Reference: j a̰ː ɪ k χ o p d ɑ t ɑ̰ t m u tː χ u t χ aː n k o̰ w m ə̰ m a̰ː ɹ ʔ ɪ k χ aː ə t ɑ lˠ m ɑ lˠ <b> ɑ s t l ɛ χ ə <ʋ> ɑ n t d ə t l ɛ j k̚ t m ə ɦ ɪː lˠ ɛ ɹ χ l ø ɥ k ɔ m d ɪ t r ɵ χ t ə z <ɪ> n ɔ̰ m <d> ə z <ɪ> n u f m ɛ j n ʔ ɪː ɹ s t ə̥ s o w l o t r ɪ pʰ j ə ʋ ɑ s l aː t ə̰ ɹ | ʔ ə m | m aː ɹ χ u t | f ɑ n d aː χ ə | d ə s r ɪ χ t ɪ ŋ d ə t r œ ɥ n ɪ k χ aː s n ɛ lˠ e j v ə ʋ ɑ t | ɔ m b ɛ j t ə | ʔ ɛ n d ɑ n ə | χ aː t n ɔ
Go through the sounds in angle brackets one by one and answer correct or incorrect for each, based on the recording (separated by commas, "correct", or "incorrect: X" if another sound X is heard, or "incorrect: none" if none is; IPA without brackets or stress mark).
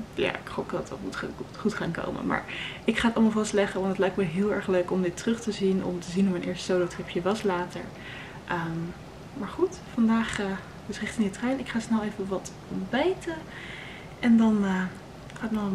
incorrect: v, correct, incorrect: i, incorrect: t, incorrect: i